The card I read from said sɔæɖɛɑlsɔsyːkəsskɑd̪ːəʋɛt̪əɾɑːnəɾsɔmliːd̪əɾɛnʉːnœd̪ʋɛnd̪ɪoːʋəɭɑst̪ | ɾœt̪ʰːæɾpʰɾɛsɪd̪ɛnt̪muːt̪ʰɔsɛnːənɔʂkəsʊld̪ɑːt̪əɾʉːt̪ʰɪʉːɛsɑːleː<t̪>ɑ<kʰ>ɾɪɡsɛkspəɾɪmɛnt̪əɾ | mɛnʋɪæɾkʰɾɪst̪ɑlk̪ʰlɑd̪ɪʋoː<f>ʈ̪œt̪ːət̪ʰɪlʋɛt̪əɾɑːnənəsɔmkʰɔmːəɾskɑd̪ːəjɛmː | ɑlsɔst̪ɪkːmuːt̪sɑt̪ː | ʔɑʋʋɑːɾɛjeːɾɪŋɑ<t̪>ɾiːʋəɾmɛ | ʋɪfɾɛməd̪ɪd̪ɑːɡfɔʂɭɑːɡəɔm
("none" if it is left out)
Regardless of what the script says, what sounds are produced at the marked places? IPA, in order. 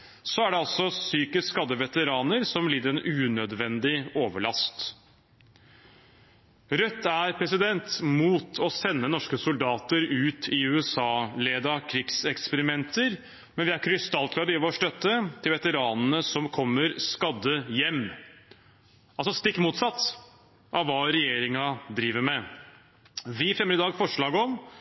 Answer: d̪, kʰ, ʂ, d̪

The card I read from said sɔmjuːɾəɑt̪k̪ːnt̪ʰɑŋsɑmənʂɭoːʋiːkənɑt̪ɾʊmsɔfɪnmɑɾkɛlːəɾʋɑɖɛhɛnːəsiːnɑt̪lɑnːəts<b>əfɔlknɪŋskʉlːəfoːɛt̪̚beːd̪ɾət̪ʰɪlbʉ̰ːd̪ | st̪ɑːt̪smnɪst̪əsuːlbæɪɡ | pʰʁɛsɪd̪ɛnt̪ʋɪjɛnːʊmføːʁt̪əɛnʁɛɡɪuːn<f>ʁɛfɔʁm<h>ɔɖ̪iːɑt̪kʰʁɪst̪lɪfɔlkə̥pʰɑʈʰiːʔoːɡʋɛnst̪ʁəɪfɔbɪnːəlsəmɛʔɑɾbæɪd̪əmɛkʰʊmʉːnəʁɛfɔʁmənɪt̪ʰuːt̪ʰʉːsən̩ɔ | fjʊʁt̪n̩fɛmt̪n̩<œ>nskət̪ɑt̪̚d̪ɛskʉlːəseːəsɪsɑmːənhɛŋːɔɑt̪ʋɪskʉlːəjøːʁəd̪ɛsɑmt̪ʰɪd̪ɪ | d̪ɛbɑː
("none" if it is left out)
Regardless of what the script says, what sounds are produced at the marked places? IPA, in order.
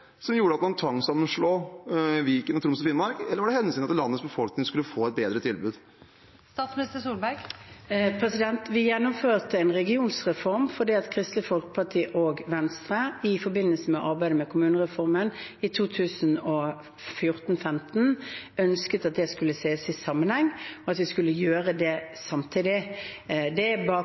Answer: b, s, f, œ

